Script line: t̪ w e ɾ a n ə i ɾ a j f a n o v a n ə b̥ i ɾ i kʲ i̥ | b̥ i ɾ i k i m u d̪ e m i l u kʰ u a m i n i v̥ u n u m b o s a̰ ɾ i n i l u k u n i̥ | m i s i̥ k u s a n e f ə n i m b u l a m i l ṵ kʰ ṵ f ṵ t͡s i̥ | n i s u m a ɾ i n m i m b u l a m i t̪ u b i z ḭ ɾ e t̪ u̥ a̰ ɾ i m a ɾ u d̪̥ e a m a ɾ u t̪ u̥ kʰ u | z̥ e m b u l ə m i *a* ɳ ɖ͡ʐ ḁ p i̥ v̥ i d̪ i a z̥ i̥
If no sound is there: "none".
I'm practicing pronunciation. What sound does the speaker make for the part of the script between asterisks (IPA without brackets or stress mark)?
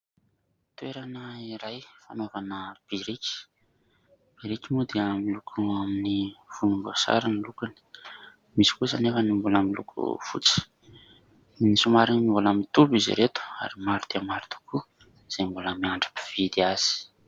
a